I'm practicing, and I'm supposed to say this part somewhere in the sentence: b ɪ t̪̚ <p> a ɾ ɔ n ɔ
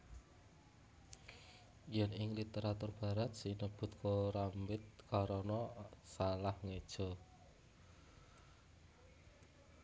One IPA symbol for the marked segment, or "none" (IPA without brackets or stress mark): k